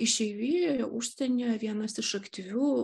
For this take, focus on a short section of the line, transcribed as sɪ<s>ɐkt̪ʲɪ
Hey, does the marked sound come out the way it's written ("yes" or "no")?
no